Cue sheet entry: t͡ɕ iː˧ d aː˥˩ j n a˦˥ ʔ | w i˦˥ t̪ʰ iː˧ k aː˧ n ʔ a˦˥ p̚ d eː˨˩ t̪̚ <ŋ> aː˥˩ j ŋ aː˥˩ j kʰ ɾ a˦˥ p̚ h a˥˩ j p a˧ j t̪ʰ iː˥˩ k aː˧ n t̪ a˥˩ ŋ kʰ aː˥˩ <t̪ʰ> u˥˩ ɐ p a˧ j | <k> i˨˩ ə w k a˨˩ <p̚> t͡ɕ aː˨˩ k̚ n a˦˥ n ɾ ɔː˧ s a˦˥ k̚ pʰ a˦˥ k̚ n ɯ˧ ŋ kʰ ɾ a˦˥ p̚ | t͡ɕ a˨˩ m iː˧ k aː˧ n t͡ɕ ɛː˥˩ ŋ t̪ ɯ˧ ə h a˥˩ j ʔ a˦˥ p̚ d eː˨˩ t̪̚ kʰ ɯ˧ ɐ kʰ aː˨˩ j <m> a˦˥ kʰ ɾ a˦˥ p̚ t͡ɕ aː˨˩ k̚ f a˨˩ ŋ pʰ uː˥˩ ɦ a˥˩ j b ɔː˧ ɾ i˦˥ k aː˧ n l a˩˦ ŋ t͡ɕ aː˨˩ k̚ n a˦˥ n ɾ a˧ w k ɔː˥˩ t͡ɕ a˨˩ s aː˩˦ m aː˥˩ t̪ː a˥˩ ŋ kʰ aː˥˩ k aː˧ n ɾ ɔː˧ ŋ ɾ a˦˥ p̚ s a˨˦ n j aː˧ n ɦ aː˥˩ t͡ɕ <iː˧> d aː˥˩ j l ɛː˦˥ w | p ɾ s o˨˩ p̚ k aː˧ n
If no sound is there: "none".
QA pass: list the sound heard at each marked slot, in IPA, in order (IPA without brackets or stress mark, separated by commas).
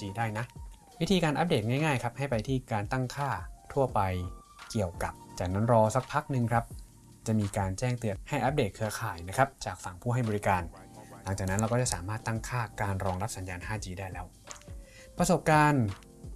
ŋ, t̪ʰ, k, p̚, n, iː˧